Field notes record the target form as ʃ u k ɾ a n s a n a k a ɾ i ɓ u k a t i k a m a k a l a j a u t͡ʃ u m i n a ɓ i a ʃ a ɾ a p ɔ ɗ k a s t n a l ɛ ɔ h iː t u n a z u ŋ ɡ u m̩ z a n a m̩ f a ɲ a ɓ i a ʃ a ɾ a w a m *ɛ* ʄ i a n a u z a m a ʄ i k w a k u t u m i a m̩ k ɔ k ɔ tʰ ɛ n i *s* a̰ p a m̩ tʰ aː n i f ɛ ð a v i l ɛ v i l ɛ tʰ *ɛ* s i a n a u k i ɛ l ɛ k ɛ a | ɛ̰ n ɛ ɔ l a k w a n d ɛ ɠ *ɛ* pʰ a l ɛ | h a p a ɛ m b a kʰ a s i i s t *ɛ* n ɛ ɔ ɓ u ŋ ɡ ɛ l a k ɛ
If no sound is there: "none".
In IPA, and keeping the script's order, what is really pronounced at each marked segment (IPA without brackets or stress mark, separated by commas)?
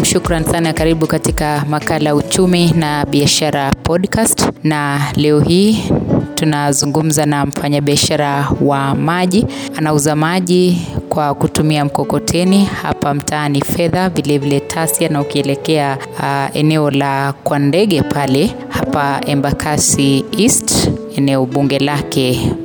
a, h, a, ɛ, ɛ